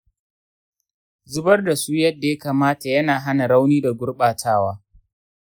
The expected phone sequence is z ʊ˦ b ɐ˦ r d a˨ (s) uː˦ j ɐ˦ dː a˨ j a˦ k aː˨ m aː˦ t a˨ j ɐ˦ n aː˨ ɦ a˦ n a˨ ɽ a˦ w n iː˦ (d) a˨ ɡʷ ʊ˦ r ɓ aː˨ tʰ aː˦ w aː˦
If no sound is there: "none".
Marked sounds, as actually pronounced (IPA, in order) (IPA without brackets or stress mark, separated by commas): s, d